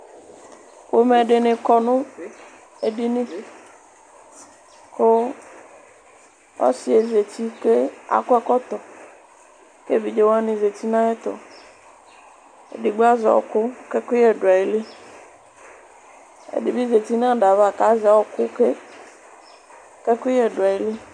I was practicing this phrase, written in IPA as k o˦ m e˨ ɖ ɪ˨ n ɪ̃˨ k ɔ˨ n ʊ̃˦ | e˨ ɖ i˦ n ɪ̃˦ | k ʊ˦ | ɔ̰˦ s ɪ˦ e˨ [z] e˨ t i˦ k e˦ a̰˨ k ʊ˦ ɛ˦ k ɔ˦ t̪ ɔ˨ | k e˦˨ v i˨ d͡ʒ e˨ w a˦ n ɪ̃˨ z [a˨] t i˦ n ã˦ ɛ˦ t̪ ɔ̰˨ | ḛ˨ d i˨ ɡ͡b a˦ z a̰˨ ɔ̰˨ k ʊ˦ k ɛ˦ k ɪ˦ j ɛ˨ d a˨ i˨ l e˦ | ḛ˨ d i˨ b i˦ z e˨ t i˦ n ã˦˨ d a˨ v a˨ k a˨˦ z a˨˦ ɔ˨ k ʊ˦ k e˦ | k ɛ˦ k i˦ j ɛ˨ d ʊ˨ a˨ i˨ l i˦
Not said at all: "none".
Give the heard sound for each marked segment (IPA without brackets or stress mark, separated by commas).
z, e˨